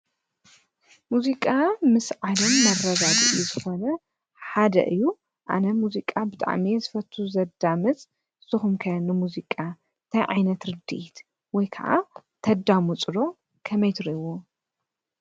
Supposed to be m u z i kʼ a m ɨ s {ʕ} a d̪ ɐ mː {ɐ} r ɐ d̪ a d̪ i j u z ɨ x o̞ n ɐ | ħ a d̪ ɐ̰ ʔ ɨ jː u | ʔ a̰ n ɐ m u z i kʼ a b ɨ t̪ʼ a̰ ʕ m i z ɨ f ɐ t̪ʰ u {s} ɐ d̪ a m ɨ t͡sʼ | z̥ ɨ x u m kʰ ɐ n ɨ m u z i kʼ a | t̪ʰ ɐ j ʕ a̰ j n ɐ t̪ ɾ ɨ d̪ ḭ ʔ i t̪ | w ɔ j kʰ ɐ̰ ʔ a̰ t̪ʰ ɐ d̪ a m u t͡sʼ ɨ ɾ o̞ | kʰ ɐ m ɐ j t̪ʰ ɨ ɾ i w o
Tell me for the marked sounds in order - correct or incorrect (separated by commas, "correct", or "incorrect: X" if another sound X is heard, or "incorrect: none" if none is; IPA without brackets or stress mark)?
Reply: correct, correct, incorrect: z